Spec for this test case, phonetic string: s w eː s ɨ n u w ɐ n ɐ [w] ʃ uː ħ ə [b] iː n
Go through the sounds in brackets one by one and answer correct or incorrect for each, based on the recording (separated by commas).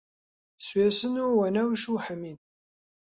correct, incorrect